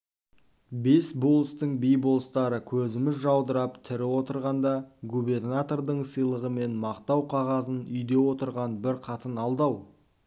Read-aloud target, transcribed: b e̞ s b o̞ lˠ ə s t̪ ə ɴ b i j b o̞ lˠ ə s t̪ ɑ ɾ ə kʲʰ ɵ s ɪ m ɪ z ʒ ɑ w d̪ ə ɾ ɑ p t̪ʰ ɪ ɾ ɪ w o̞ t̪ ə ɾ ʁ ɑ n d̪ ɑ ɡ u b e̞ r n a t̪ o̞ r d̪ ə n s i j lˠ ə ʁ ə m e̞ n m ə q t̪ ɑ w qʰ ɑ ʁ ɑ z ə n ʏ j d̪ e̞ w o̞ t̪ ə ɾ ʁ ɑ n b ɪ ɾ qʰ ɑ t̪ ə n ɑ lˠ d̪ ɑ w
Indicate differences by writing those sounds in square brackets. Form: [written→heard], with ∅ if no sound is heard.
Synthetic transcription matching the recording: b e̞ s b o̞ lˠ ə s t̪ ə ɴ b i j b o̞ lˠ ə s t̪ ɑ ɾ ə kʲʰ ɵ [s→z] ɪ m ɪ z ʒ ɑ w d̪ ə ɾ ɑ p t̪ʰ ɪ ɾ ɪ w o̞ t̪ ə ɾ ʁ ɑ n d̪ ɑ ɡ u b e̞ r n a t̪ o̞ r d̪ ə [n→ɴ] s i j lˠ ə ʁ ə m e̞ n m [ə→ɑ] q t̪ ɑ w qʰ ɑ ʁ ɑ z ə n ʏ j d̪ e̞ w o̞ t̪ ə ɾ ʁ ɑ n b ɪ ɾ qʰ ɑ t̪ ə n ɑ lˠ d̪ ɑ w